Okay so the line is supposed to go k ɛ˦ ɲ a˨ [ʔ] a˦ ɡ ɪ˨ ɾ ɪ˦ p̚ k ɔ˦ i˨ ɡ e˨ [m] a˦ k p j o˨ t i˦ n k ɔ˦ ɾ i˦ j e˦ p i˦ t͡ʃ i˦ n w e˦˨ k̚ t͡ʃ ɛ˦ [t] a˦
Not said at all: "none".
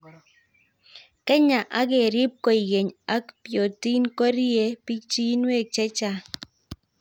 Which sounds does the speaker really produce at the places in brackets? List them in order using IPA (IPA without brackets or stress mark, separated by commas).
ʔ, ɲ, t͡ʃ